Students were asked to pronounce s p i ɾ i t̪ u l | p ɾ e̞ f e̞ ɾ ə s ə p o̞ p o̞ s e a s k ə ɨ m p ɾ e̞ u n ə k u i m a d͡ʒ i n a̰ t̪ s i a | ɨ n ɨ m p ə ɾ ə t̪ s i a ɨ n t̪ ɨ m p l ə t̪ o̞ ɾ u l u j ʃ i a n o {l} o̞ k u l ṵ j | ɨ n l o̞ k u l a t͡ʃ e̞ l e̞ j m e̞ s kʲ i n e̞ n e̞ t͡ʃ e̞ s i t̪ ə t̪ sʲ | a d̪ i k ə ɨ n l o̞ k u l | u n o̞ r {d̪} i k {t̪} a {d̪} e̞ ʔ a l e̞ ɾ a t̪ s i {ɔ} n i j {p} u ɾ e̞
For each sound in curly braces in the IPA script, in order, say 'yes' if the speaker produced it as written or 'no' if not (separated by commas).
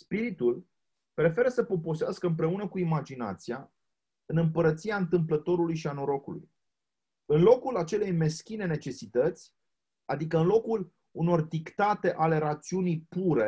no, yes, yes, no, no, yes